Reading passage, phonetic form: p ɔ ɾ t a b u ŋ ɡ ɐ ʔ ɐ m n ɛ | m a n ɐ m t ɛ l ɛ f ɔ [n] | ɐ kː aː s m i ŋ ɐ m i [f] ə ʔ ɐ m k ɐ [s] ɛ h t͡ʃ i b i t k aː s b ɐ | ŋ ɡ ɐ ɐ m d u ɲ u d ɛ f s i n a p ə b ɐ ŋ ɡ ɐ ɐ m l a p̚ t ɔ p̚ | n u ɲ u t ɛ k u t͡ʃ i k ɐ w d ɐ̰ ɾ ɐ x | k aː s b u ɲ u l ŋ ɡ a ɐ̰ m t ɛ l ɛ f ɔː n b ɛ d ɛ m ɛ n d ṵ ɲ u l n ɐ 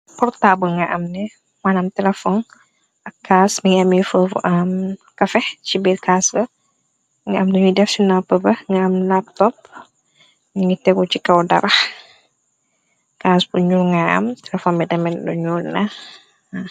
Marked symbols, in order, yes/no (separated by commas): yes, yes, no